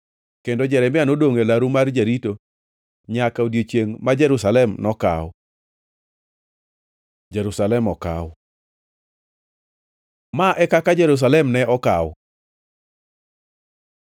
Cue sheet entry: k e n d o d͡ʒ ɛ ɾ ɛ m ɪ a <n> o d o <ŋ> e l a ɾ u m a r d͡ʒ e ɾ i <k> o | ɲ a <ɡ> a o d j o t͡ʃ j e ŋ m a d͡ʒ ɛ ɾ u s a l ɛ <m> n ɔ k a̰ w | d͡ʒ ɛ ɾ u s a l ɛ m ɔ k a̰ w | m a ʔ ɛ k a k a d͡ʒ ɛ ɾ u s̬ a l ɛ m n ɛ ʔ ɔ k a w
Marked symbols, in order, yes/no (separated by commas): yes, yes, no, no, yes